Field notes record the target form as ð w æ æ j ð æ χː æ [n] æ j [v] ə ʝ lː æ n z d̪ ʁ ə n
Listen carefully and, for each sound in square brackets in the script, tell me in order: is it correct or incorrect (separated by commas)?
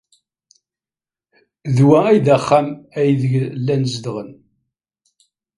incorrect, incorrect